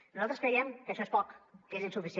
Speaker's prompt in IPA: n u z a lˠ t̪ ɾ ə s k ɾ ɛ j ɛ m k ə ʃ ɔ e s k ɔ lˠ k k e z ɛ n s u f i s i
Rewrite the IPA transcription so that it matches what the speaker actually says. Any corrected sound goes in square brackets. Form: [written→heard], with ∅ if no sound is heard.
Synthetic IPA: n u z a lˠ t̪ ɾ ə s k ɾ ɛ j ɛ m k ə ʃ ɔ e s [k→p] ɔ [lˠ→∅] k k e z [ɛ→i] n s u f i s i